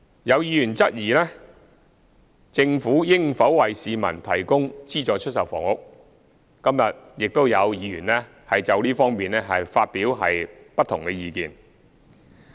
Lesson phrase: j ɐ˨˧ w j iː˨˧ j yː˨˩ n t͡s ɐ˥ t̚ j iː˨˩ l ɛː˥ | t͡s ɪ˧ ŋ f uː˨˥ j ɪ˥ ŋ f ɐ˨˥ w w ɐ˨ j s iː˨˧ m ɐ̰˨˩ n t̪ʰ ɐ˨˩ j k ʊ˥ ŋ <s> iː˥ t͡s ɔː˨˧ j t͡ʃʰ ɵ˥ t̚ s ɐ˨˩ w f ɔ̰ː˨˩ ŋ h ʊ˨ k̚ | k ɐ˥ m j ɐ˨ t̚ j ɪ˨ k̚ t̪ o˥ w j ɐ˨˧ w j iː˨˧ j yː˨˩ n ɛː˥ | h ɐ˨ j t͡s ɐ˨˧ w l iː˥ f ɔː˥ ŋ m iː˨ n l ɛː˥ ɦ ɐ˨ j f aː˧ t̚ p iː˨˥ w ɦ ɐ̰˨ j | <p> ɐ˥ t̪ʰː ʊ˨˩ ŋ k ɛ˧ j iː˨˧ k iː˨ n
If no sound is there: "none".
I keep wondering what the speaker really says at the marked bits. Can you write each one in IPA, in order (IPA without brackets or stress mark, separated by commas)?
t͡s, p